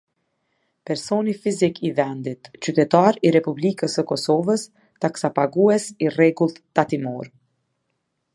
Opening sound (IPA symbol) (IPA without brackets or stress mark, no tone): p